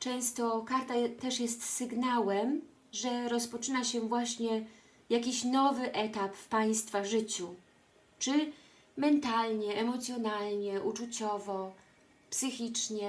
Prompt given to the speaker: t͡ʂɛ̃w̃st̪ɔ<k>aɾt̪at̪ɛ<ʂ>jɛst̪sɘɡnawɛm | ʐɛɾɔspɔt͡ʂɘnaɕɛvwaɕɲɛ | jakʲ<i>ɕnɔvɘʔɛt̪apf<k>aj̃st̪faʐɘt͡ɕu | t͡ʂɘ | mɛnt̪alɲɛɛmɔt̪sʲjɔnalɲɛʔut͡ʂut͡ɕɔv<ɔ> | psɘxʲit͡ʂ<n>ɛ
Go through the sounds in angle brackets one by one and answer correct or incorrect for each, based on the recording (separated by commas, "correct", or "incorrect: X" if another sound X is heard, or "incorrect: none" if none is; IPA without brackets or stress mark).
correct, correct, correct, incorrect: p, correct, incorrect: ɲ